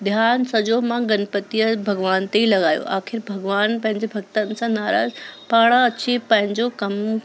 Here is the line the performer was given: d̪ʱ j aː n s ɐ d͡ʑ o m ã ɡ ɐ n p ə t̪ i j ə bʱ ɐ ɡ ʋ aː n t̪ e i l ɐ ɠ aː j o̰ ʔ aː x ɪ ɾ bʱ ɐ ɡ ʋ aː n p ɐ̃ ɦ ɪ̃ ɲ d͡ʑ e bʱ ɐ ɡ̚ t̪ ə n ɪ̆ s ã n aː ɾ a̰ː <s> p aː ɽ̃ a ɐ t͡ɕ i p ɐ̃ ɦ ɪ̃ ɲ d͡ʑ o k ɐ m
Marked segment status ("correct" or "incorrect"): incorrect